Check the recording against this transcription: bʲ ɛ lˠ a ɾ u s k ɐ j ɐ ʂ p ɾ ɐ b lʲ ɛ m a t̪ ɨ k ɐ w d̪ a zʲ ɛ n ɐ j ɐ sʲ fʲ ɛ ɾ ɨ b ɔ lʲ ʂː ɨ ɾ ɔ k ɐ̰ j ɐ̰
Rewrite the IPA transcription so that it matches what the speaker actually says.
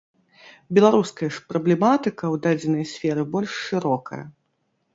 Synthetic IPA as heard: bʲ ɛ lˠ a ɾ u s k ɐ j ɐ ʂ p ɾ ɐ b lʲ ɛ m a t̪ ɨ k ɐ w d̪ a d͡zʲ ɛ n ɐ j ɐ sʲ fʲ ɛ ɾ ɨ b ɔ lʲ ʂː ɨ ɾ ɔ k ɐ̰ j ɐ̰